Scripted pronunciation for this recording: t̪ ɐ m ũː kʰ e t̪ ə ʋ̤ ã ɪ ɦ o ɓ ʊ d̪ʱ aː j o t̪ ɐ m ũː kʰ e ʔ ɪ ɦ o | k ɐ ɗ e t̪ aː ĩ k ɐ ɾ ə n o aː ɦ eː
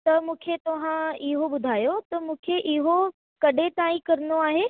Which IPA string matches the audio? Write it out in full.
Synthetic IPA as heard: t̪ ɐ m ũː kʰ e t̪ ɐ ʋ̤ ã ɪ ɦ o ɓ ʊ d̪ʱ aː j o t̪ ɐ m ũː kʰ e ʔ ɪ ɦ o | k ɐ ɗ e t̪ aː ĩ k ɐ ɾ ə n o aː ɦ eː